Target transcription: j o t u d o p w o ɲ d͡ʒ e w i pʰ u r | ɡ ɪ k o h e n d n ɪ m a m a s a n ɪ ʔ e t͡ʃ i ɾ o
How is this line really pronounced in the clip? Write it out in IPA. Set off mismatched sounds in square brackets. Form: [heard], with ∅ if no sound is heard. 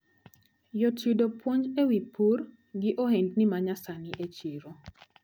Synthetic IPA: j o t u d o p w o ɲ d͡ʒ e w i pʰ u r | ɡ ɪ [ʔ] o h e n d n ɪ m a [ɲ] a s a n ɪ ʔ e t͡ʃ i ɾ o

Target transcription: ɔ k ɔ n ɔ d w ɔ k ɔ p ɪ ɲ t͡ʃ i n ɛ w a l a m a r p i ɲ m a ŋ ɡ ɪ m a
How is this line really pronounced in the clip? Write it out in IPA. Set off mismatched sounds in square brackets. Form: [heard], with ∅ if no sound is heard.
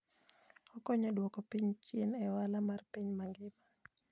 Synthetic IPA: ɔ k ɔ [ɲ] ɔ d w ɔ k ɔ p [i] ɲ t͡ʃ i n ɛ w a l a m a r p i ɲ m a ŋ ɡ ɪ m a

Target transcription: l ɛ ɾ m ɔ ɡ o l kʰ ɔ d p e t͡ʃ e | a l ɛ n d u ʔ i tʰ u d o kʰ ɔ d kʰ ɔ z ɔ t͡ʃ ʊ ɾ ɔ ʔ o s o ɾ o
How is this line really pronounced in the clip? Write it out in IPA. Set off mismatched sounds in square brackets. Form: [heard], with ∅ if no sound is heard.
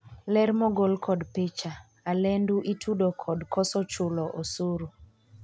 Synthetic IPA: l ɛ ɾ m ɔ ɡ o l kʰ ɔ d p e t͡ʃ [a] | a l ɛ n d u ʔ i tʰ u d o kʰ ɔ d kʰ ɔ [s] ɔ t͡ʃ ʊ [l] ɔ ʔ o s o ɾ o

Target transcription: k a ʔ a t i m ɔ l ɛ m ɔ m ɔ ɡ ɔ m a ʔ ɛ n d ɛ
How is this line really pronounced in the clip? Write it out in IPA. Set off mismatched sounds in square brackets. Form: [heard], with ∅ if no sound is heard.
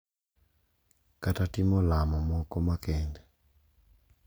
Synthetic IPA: k a [t] a t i m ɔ l [a] m ɔ m ɔ [k] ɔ m a [k] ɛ n d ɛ

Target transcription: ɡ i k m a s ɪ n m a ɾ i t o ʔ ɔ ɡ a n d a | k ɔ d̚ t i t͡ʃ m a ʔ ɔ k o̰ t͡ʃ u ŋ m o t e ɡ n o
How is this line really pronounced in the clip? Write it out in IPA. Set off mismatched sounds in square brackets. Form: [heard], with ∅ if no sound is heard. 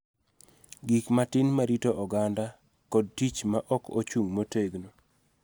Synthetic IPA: ɡ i k m a [t] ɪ n m a ɾ i t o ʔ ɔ ɡ a n d a | k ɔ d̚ t i t͡ʃ m a ʔ ɔ k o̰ t͡ʃ u ŋ m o t e ɡ n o

